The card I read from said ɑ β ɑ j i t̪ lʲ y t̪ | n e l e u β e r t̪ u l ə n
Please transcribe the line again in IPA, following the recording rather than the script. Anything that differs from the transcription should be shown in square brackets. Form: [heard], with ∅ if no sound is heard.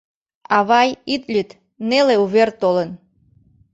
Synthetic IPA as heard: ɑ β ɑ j i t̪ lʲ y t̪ | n e l e u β e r t̪ [o] l ə n

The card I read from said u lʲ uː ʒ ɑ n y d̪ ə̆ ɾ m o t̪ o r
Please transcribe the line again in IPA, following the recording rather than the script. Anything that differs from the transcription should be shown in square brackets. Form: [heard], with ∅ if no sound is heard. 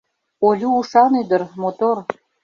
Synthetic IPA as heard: [o] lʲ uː [ʃ] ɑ n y d̪ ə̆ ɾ m o t̪ o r

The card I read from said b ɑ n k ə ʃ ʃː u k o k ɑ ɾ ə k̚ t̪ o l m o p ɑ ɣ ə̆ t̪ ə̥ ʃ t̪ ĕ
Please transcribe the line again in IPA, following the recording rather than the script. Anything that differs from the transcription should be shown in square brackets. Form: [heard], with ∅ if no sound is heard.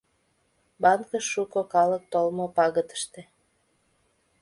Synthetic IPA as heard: b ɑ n k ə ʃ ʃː u k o k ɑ [l] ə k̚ t̪ o l m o p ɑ ɣ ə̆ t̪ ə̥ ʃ t̪ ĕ

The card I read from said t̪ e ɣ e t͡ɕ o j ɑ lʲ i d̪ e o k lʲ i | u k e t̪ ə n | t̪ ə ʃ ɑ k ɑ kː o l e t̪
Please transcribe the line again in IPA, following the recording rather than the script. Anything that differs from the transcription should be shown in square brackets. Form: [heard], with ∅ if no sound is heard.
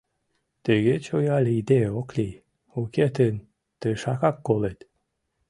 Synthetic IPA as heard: t̪ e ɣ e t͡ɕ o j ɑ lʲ i d̪ e o k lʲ i | u k e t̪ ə n | t̪ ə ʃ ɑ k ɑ kː o l e t̪

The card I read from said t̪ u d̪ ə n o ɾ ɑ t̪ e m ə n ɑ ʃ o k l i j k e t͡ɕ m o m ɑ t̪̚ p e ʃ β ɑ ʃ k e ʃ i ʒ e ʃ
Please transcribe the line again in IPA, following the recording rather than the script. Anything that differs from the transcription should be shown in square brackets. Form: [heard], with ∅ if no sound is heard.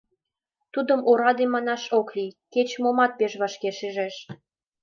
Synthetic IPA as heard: t̪ u d̪ ə [m] o ɾ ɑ [d̪] e m [ɑ] n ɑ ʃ o k l i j k e t͡ɕ m o m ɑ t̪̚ p e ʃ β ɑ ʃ k e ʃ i ʒ e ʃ

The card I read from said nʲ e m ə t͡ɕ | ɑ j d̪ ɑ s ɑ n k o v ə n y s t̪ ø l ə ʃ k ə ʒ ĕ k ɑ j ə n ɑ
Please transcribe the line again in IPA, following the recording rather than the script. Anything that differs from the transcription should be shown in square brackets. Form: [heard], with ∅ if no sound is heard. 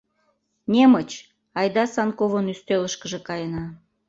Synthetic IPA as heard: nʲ e m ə t͡ɕ | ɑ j d̪ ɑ s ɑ n k o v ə n y s t̪ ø l ə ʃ k ə ʒ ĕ k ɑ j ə n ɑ

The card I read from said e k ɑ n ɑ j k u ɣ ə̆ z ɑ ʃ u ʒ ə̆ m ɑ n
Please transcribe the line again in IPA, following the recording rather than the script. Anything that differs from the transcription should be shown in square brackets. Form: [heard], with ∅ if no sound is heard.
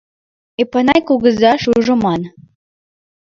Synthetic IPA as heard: e [p] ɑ n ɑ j k u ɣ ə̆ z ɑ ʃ u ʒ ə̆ m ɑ n

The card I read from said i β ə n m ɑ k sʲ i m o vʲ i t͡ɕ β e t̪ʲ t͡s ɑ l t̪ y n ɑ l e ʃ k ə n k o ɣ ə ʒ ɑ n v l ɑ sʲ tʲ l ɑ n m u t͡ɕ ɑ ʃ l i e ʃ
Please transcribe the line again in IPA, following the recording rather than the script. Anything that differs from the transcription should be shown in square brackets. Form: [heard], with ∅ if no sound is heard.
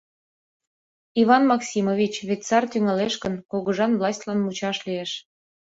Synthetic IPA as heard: i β [ɑ] n m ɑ k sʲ i m o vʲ i t͡ɕ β e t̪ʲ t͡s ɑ [r] t̪ y [ŋ] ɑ l e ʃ k ə n k o ɣ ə ʒ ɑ n v l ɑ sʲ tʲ l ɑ n m u t͡ɕ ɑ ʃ l i e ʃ

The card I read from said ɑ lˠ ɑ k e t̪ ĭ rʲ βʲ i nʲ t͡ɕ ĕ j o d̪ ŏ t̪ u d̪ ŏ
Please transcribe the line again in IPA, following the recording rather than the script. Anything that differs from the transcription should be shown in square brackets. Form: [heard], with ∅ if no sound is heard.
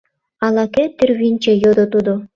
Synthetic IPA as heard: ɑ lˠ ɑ k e t̪ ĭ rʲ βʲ i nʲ t͡ɕ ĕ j o d̪ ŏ t̪ u d̪ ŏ

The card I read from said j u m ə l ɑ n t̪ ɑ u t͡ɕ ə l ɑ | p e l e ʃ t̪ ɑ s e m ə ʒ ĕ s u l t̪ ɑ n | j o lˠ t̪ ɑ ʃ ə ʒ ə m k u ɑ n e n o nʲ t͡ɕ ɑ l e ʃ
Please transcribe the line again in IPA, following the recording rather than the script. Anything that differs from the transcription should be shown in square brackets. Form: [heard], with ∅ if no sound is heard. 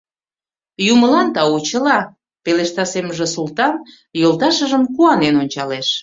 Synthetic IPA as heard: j u m ə l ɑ n t̪ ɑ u t͡ɕ ə l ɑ | p e l e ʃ t̪ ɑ s e m ə ʒ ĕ s u l t̪ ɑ n | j o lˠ t̪ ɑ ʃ ə ʒ ə m k u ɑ n e n o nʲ t͡ɕ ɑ l e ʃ

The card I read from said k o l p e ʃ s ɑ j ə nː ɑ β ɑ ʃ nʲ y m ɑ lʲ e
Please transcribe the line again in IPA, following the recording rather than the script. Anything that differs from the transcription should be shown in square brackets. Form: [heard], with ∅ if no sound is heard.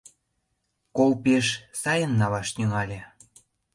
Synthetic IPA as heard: k o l p e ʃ s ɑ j ə nː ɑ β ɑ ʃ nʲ y [ŋ] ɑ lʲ e

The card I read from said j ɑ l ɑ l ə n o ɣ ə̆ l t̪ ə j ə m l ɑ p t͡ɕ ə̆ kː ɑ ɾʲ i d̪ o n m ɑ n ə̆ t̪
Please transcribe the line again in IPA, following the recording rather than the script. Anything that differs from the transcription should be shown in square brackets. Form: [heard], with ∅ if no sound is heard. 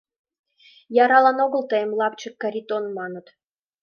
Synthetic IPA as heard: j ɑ [ɾ] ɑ l [ɑ] n o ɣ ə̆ l t̪ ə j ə m l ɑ p t͡ɕ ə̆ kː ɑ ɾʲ i [t̪] o n m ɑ n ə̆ t̪

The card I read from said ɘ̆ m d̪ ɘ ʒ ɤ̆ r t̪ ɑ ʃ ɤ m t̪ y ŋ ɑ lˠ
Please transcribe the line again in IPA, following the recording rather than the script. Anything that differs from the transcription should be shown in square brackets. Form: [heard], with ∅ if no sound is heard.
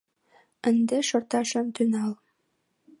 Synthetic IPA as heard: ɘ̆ [n] d̪ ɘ [ʃ] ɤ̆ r t̪ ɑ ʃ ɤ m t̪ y [n] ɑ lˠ

